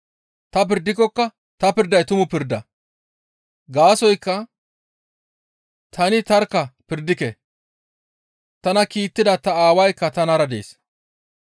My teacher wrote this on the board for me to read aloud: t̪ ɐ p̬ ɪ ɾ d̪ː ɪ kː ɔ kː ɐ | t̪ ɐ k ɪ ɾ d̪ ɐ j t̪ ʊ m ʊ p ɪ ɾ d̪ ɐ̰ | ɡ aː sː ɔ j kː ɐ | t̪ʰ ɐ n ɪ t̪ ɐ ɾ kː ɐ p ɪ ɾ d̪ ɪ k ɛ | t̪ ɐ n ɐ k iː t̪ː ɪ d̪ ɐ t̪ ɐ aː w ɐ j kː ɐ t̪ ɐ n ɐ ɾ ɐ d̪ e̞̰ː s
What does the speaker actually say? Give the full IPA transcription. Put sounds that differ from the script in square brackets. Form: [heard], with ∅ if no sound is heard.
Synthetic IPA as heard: t̪ ɐ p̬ ɪ ɾ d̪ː ɪ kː ɔ kː ɐ | t̪ ɐ [p] ɪ ɾ d̪ ɐ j t̪ ʊ m ʊ p ɪ ɾ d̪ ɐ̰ | ɡ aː [s] ɔ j kː ɐ | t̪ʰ ɐ n ɪ t̪ ɐ ɾ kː ɐ p ɪ ɾ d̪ ɪ k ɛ | t̪ ɐ n ɐ k iː t̪ː ɪ d̪ ɐ t̪ ɐ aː w ɐ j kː ɐ t̪ ɐ n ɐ ɾ ɐ d̪ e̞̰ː s